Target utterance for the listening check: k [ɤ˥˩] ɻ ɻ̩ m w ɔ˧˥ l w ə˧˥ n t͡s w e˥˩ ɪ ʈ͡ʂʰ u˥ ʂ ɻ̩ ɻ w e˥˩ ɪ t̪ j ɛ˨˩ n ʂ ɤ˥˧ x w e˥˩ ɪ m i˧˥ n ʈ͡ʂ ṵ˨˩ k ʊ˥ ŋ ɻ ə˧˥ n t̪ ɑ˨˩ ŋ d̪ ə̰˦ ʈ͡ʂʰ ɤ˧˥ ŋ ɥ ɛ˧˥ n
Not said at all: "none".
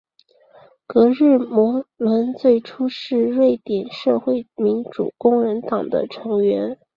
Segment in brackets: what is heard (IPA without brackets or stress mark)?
ɤ˧˥